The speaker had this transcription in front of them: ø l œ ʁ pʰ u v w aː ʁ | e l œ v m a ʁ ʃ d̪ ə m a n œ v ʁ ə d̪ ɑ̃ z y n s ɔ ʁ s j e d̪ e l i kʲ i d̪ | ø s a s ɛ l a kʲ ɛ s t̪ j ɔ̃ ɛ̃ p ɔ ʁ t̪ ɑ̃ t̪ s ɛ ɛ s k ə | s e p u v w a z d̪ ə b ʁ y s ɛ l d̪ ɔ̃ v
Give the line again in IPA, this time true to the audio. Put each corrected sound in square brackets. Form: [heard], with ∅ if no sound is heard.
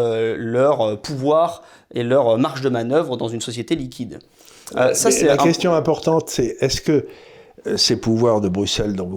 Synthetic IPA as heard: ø l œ ʁ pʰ u v w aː ʁ | e l œ [ʁ] m a ʁ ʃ d̪ ə m a n œ v ʁ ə d̪ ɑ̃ z y n s ɔ [∅] s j e [t̪] e l i kʲ i d̪ | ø s a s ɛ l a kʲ ɛ s t̪ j ɔ̃ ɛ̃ p ɔ ʁ t̪ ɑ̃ t̪ s ɛ ɛ s k ə | s e p u v w a [ʁ] d̪ ə b ʁ y s ɛ l d̪ ɔ̃ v